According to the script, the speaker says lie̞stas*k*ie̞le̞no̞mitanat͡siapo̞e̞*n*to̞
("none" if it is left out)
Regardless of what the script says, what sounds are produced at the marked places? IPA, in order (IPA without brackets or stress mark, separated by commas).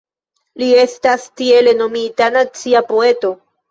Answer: t, none